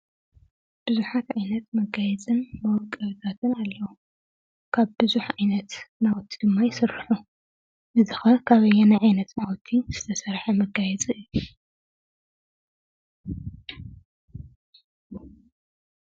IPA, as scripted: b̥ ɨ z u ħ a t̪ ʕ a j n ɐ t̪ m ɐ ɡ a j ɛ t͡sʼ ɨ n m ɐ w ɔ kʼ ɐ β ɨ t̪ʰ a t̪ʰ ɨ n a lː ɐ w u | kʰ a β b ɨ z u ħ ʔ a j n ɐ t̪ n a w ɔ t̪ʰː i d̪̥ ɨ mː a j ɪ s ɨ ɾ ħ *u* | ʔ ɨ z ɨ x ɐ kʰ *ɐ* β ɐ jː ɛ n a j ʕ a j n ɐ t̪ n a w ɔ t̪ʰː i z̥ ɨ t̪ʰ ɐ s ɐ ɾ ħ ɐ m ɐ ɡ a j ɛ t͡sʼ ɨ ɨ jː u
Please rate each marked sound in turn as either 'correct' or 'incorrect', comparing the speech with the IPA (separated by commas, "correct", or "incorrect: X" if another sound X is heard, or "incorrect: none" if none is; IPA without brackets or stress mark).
correct, incorrect: a